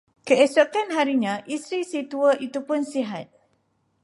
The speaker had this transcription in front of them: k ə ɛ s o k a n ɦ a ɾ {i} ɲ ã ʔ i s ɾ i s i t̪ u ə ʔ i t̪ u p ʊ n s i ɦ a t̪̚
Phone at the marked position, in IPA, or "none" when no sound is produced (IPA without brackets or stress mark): i